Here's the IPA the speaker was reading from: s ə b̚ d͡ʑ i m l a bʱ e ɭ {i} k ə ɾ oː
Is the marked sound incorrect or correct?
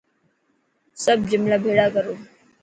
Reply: incorrect